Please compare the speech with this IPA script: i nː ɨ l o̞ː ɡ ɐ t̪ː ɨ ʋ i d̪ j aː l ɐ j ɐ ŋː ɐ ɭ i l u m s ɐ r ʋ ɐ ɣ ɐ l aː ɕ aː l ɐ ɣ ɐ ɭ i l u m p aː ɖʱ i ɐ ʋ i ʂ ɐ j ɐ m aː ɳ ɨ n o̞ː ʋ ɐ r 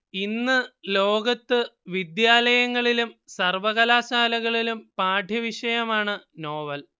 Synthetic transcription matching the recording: i nː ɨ l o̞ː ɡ ɐ t̪ː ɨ ʋ i d̪ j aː l ɐ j ɐ ŋː ɐ ɭ i l u m s ɐ r ʋ ɐ ɣ ɐ l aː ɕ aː l ɐ ɣ ɐ ɭ i l u m p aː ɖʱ j ɐ ʋ i ʂ ɐ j ɐ m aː ɳ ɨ n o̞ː ʋ ɐ l